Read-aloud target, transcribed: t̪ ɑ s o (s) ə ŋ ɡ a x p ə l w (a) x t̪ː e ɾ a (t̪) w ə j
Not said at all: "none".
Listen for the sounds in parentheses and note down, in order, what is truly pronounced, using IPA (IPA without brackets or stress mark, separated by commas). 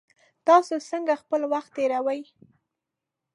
s, a, none